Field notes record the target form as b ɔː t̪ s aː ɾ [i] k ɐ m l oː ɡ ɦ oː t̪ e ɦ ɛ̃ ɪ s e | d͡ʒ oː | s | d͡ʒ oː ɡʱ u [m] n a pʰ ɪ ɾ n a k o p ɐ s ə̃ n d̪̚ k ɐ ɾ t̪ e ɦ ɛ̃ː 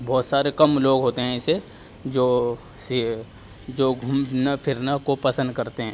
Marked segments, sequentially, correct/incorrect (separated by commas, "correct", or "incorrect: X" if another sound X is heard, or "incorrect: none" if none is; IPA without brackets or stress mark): incorrect: e, correct